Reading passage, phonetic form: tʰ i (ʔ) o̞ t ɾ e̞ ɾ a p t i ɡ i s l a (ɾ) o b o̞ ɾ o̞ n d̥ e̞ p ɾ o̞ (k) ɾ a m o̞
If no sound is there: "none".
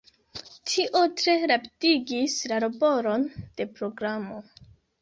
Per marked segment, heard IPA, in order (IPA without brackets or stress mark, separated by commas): ʔ, ɾ, ɡ